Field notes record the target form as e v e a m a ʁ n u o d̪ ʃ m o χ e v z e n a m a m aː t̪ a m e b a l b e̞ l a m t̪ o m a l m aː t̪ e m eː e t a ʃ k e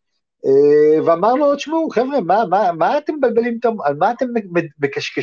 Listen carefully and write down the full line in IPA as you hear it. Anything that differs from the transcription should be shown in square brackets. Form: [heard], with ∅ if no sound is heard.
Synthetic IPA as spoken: e v e a m a ʁ n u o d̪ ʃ m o χ e v [ʁ] e [m] a m a m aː t̪ [e] m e b a l b e̞ l [i] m t̪ o m a l m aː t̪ e m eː e [k] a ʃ k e